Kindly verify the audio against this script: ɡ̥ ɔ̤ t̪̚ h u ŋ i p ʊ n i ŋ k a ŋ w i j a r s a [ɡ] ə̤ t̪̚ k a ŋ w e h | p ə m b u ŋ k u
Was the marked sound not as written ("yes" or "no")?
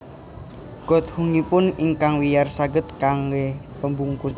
no